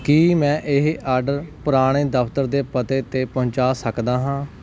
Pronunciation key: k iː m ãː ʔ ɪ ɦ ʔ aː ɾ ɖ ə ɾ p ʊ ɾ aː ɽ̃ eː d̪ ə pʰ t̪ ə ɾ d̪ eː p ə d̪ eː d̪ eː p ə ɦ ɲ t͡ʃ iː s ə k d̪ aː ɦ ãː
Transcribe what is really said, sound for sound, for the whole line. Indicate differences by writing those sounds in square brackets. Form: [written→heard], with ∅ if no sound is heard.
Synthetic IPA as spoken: k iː m [ãː→ɛ̃ː] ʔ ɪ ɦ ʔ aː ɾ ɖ ə ɾ p ʊ ɾ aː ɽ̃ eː d̪ ə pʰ t̪ ə ɾ d̪ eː p ə [d̪→t̪] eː [d̪→t̪] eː p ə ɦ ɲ t͡ʃ [iː→aː] s ə k d̪ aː ɦ ãː